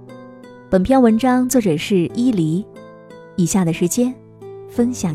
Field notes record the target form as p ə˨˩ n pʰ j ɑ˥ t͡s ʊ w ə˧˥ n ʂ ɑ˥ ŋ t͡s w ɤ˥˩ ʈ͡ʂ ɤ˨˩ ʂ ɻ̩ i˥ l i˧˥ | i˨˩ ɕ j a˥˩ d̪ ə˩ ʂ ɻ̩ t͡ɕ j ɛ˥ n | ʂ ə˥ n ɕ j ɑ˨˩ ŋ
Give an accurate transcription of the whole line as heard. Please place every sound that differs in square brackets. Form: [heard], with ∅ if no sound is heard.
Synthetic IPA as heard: p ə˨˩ n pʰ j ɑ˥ [∅] ʊ w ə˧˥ n [ʈ͡ʂ] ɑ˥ ŋ t͡s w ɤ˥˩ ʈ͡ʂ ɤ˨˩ ʂ ɻ̩ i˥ l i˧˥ | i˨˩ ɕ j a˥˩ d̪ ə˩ ʂ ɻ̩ t͡ɕ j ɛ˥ n | [f] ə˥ n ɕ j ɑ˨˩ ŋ